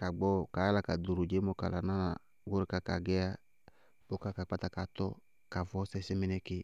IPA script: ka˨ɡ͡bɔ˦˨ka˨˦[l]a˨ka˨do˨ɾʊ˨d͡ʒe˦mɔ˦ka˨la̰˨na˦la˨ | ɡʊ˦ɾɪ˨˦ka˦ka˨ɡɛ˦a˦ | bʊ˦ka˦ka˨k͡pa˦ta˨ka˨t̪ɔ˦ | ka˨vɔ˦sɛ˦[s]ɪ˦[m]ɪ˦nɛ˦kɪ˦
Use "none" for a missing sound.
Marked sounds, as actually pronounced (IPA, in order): l, s, m

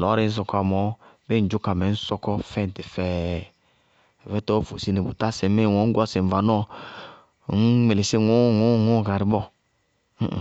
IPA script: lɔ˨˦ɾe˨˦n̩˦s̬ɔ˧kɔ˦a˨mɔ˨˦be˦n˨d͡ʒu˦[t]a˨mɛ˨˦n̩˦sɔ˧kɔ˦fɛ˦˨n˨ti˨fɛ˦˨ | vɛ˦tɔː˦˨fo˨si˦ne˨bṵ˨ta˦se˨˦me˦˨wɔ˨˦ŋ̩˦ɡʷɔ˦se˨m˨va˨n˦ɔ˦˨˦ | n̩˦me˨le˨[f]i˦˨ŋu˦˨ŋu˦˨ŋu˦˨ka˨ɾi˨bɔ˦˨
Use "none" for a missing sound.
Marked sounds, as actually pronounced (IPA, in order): k, s

